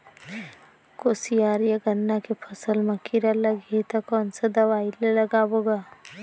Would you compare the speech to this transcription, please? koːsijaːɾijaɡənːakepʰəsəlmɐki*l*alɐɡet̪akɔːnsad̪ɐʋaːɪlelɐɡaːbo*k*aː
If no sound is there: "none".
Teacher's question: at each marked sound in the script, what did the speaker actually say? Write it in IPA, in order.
ɾ, ɡ

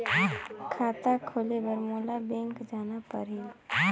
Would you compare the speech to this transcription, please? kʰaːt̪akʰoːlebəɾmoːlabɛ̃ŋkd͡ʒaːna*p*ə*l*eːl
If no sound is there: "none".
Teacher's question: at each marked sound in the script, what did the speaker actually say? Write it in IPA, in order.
p, ɾ

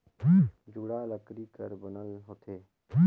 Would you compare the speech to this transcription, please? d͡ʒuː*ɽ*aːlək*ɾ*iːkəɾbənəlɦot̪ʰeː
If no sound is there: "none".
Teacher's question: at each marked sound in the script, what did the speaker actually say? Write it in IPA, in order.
ɽ, ɾ

